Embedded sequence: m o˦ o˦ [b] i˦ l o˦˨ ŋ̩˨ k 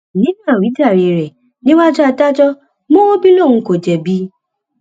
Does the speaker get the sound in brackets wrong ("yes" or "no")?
no